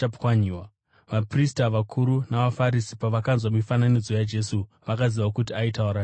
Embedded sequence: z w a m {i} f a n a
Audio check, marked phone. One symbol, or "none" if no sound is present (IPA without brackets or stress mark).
i